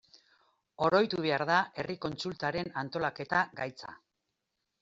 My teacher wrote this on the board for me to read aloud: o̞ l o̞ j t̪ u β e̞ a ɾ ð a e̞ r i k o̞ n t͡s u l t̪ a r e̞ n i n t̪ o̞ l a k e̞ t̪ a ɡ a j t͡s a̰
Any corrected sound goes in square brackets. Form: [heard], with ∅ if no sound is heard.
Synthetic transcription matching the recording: o̞ [ɾ] o̞ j t̪ u β e̞ a ɾ ð a e̞ r i k o̞ n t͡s u l t̪ a [ɾ] e̞ n [a] n t̪ o̞ l a k e̞ t̪ a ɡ a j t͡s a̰